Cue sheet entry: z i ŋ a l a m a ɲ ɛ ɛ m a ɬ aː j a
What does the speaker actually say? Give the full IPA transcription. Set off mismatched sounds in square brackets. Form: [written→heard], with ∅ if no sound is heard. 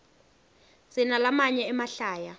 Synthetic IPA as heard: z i [ŋ→n] a l a m a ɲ ɛ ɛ m a ɬ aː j a